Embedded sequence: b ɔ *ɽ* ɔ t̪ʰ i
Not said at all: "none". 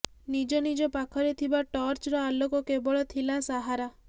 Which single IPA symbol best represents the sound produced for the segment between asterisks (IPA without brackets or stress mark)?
ɭ